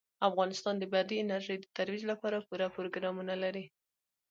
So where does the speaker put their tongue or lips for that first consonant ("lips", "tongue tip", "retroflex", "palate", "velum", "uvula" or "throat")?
lips